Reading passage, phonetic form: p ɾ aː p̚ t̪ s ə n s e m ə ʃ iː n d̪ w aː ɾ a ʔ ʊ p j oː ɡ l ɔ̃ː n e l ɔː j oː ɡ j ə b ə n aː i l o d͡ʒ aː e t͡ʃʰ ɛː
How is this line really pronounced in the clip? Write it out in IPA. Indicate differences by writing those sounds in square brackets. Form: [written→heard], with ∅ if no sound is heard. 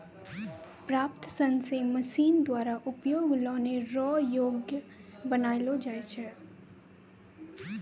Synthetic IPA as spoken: p ɾ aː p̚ t̪ s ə n s e m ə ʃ iː n d̪ w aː ɾ a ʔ ʊ p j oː ɡ l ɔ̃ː n e [l→ɾ] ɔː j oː ɡ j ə b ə n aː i l o d͡ʒ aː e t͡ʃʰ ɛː